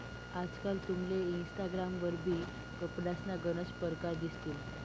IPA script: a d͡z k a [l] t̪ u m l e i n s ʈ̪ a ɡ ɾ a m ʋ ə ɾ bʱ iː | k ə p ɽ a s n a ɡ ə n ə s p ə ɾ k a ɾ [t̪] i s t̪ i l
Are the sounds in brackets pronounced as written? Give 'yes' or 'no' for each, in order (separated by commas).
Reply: yes, no